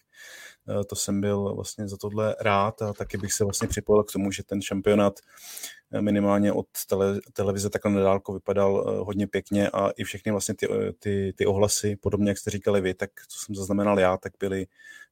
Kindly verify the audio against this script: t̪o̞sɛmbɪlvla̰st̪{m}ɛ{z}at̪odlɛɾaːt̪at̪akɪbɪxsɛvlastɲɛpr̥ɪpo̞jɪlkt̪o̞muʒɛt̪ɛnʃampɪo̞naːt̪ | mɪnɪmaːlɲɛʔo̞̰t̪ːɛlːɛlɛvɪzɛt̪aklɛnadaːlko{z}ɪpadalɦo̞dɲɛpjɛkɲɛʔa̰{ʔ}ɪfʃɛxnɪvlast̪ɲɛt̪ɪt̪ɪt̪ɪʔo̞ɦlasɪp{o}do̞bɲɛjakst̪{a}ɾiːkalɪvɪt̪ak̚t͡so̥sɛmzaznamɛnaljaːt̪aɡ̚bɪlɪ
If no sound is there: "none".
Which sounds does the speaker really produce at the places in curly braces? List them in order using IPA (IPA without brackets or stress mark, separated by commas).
ɲ, z, v, ʔ, o, ɛ